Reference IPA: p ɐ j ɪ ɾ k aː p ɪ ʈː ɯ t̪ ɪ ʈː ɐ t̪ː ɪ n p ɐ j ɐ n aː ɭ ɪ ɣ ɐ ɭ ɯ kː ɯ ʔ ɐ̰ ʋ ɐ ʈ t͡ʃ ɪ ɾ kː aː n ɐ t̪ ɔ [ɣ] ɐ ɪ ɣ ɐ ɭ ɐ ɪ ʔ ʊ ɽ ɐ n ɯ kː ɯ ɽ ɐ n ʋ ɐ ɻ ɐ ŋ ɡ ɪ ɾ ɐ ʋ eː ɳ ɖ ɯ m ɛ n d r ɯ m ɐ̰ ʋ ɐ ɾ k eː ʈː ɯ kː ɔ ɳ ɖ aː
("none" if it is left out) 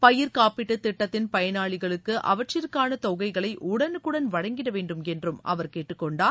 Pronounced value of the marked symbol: ɣ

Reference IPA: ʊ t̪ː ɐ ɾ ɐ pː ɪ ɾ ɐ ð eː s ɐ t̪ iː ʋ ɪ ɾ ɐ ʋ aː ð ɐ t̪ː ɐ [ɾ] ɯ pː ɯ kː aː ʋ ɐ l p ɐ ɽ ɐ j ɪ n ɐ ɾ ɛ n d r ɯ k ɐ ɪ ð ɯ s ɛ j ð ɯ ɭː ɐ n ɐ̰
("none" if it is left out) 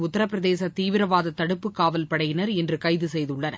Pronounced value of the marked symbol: ɽ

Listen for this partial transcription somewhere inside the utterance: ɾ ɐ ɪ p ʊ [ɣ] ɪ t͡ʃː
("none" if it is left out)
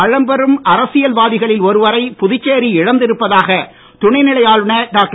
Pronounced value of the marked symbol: ð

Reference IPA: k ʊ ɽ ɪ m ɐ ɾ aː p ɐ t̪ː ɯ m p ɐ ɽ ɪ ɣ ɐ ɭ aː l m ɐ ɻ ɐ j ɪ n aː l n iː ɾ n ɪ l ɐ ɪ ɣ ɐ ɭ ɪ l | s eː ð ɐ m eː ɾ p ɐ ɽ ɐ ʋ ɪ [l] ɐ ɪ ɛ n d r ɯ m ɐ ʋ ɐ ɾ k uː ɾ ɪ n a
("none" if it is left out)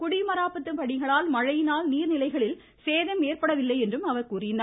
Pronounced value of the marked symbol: lː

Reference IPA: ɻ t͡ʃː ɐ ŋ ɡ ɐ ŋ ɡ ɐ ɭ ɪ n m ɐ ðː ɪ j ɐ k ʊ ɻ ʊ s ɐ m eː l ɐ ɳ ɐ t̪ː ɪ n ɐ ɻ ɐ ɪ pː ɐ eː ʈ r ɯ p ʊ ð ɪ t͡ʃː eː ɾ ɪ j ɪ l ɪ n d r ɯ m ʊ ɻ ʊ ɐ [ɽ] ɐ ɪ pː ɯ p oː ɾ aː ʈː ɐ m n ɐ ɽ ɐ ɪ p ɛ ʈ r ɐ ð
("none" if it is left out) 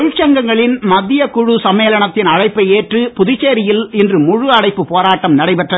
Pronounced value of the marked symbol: ɽ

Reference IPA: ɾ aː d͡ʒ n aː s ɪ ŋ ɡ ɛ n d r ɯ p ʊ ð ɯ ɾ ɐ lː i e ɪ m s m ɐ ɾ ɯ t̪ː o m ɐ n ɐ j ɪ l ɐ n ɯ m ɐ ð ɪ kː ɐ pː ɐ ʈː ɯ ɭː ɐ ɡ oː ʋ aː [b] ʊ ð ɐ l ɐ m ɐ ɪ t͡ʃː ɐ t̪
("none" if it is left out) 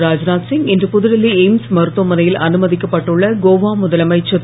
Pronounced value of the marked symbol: m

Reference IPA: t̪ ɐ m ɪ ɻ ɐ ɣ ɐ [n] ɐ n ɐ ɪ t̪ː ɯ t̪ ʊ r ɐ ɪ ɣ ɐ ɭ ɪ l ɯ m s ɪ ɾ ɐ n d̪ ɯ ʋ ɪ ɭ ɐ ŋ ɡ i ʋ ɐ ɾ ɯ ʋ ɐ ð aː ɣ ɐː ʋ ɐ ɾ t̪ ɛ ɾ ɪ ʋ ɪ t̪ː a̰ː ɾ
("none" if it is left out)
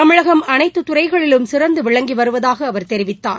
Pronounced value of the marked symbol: m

